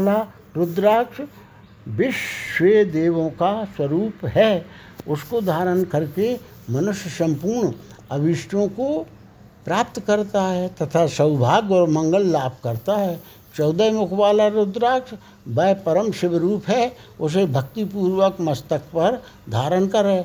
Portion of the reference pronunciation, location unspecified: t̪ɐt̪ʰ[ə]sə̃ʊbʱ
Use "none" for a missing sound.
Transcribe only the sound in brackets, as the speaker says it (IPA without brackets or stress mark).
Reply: a